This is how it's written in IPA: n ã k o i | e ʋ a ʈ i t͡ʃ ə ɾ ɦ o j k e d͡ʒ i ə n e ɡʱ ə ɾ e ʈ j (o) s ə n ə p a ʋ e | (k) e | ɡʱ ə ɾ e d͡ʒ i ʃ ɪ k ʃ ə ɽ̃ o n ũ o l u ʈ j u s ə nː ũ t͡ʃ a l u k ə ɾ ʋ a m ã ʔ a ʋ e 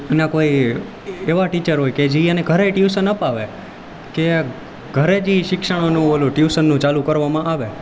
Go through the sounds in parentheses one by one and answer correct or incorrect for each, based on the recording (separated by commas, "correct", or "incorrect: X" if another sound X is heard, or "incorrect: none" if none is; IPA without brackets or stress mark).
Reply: incorrect: u, correct